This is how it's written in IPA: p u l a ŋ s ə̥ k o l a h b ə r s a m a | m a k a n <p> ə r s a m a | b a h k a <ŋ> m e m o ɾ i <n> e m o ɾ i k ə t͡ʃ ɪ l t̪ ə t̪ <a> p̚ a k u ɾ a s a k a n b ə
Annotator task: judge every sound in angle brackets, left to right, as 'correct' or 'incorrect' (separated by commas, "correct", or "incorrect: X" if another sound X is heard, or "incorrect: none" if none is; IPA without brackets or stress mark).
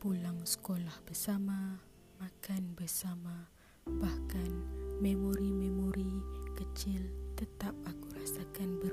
incorrect: b, incorrect: n, incorrect: m, correct